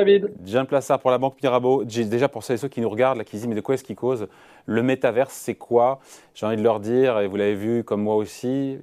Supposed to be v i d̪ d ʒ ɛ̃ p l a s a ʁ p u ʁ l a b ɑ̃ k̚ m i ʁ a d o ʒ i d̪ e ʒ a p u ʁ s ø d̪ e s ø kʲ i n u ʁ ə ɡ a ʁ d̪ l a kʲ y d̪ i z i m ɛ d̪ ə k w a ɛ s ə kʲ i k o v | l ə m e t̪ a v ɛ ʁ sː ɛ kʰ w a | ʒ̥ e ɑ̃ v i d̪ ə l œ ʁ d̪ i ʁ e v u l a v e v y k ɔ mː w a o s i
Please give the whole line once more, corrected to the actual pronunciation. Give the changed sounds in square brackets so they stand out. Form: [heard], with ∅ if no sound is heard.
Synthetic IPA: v i d̪ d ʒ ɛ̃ p l a s a ʁ p u ʁ l a b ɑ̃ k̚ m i ʁ a [b] o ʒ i d̪ e ʒ a p u ʁ s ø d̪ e s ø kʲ i n u ʁ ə ɡ a ʁ d̪ l a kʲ [i] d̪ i z i m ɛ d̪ ə k w a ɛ s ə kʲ i k o [z] | l ə m e t̪ a v ɛ ʁ sː ɛ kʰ w a | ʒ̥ e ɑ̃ v i d̪ ə l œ ʁ d̪ i ʁ e v u l a v e v y k ɔ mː w a o s i